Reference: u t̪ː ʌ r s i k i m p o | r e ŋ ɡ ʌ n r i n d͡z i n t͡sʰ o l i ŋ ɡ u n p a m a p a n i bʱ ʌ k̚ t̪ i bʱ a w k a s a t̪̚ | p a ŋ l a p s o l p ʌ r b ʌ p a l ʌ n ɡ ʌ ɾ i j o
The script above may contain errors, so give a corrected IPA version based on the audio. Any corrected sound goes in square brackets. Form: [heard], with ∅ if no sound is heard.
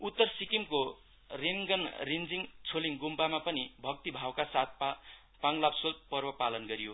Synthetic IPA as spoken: u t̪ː ʌ r s i k i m [k] o | r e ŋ ɡ ʌ n r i n d͡z i [ŋ] t͡sʰ o l i ŋ ɡ u [m] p a m a p [ʌ] n i bʱ ʌ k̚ t̪ i bʱ a w k a s a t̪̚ | p a ŋ l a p s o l p ʌ r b ʌ p a l ʌ n ɡ ʌ ɾ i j o